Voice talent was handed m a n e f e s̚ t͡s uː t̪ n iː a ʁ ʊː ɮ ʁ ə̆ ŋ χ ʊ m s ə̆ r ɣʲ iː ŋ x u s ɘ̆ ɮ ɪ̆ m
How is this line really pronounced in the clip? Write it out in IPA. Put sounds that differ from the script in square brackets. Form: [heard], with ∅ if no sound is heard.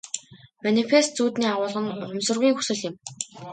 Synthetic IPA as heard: m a n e f e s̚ t͡s uː t̪ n iː a ʁ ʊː ɮ ʁ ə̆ [n] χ ʊ m s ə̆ r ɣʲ iː ŋ x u s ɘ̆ ɮ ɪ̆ m